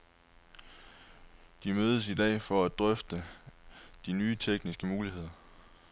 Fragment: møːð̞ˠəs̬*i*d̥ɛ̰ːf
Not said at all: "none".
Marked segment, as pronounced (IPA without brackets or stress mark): i